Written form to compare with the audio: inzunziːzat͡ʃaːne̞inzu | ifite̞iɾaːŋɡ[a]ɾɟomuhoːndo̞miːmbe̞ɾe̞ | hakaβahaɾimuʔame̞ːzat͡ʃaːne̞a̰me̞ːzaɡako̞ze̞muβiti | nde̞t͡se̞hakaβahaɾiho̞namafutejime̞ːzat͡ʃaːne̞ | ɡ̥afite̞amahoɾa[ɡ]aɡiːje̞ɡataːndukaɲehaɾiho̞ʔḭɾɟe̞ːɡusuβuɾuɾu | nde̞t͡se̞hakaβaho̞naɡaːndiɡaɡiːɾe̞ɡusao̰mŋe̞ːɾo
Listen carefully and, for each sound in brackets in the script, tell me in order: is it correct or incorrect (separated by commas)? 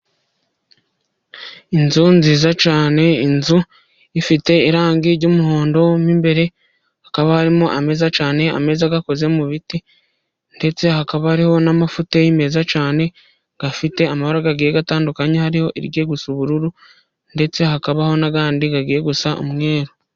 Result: incorrect, correct